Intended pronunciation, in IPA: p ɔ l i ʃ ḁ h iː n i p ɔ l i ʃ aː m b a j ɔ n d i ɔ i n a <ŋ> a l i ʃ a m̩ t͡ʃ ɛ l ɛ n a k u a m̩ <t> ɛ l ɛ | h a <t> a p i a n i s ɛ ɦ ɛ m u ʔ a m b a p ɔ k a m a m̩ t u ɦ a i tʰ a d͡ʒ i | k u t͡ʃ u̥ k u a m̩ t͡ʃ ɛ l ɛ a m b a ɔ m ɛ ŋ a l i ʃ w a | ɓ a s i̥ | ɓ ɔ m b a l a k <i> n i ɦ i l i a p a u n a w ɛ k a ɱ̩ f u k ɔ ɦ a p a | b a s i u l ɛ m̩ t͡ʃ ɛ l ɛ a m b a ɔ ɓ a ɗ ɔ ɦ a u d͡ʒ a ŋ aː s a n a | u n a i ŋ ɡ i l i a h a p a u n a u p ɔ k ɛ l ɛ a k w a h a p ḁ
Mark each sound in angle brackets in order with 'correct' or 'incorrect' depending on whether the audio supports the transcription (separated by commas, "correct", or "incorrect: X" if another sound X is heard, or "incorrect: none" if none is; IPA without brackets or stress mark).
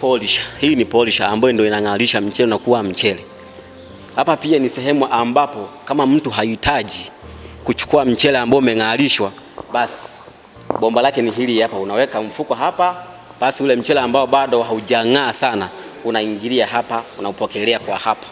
correct, incorrect: t͡ʃ, incorrect: p, incorrect: ɛ